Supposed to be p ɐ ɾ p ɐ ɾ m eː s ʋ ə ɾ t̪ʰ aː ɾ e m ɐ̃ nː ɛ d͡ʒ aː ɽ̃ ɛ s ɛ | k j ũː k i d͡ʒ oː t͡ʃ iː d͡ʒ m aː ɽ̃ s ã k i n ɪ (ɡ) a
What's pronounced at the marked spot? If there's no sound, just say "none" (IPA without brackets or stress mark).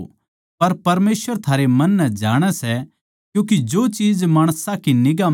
ɡ